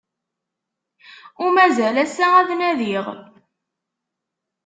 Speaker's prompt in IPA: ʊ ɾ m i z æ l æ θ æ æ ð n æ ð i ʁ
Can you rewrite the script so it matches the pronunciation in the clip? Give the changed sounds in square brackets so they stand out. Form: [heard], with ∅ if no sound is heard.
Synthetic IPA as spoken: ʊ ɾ m [æ] z æ l æ [s] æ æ ð n æ ð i ʁ